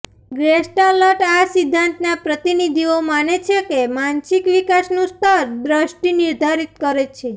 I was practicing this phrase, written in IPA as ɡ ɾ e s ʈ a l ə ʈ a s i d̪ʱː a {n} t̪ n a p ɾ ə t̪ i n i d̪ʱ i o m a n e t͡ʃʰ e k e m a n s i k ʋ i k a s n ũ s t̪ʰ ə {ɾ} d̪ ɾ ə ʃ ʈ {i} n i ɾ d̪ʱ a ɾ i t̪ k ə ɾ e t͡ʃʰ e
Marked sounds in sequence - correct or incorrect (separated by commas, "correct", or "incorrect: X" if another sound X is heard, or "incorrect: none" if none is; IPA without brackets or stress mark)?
correct, correct, correct